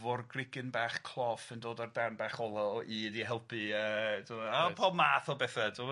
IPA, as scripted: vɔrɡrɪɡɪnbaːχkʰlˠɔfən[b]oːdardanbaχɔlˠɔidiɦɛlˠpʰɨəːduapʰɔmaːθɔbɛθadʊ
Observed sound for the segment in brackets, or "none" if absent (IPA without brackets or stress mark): d